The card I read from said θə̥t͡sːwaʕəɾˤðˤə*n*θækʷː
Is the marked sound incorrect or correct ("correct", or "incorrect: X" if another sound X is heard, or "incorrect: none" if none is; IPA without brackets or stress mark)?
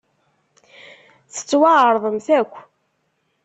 incorrect: m